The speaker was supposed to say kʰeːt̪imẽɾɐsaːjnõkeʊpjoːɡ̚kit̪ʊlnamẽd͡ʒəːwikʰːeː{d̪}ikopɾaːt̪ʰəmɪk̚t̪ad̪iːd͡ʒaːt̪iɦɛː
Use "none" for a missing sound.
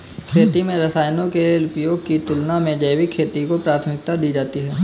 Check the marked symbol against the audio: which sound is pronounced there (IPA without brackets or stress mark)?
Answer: t̪